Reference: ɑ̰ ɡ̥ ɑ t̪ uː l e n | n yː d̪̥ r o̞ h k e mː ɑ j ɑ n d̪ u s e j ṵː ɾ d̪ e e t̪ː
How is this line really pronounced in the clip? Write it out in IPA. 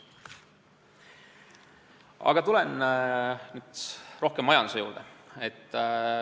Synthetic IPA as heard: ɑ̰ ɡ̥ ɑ t̪ u l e n | n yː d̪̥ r o̞ h k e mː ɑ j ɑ n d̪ u s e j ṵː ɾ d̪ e e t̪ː